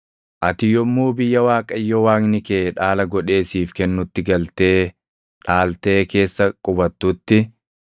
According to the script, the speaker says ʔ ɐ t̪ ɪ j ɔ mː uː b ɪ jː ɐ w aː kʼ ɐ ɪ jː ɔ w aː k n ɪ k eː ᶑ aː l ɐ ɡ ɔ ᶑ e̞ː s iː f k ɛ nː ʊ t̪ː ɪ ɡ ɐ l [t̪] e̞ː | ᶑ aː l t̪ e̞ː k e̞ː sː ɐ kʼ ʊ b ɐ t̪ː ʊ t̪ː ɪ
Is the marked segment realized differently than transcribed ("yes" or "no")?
no